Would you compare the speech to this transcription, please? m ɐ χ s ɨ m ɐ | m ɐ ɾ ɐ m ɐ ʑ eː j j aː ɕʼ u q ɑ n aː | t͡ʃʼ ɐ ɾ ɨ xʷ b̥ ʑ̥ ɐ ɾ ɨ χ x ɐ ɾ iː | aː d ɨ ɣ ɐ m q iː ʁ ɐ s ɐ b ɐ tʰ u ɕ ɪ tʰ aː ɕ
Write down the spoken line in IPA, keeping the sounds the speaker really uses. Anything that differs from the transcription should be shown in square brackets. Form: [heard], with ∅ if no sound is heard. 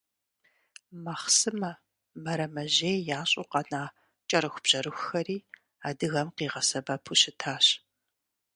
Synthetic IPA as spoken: m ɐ χ s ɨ m ɐ | m ɐ ɾ ɐ m ɐ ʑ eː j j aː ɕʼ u q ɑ n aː | t͡ʃʼ ɐ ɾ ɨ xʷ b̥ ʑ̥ ɐ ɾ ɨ [x] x ɐ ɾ iː | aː d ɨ ɣ ɐ m q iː ʁ ɐ s ɐ b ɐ [pʰ] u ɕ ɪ tʰ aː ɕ